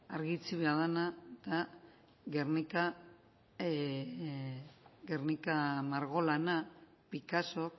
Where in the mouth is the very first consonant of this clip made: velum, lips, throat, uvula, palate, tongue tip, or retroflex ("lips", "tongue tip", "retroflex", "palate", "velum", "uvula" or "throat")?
tongue tip